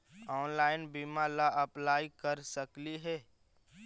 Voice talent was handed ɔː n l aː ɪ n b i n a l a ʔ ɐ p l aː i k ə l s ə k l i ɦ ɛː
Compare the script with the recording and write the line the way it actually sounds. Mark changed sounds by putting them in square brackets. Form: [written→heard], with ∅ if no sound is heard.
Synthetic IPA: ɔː n l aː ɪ n b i [n→m] a l a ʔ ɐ p l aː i k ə [l→ɾ] s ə k l i ɦ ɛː